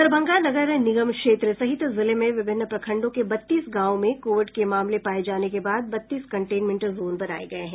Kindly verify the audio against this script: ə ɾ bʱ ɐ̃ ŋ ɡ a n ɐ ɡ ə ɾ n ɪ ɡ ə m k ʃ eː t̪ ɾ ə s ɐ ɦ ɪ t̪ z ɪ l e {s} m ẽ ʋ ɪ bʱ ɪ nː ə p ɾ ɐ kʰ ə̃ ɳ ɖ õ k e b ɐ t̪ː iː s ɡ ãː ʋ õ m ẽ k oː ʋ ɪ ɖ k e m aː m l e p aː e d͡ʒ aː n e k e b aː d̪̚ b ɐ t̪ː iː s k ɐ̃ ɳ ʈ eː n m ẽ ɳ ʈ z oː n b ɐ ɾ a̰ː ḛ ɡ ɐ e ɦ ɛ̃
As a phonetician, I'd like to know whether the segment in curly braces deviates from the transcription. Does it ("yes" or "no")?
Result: yes